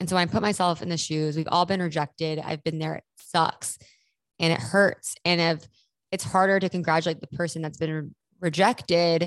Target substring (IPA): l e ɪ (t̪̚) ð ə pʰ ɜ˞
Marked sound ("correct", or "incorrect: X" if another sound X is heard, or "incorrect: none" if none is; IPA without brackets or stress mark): correct